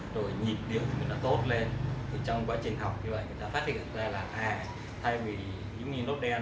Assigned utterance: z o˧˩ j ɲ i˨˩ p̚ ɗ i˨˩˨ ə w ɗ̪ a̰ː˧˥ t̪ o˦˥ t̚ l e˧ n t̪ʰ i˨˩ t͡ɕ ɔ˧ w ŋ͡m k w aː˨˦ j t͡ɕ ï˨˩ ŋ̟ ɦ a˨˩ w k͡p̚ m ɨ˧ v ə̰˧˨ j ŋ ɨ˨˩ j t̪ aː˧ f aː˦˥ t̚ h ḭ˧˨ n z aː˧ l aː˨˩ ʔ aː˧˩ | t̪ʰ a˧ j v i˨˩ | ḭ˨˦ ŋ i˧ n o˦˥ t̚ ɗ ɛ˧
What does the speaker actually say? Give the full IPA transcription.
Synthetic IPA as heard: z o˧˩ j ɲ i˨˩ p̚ ɗ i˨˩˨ ə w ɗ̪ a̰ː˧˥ t̪ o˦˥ t̚ l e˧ n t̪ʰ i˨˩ t͡ɕ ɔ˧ w ŋ͡m k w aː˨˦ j t͡ɕ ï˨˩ ŋ̟ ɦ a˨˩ w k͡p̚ ɲ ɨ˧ v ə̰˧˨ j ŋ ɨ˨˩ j t̪ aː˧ f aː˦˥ t̚ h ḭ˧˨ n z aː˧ l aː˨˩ ʔ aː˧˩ | t̪ʰ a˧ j v i˨˩ | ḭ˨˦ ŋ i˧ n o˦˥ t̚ ɗ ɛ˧